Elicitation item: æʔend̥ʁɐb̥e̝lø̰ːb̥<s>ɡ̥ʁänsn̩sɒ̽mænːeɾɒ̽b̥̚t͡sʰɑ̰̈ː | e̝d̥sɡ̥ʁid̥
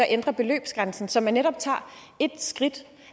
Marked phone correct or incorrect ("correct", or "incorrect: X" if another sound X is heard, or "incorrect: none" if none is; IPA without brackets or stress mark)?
correct